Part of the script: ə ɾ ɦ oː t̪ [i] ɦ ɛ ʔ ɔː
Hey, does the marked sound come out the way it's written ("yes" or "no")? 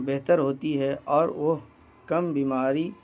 yes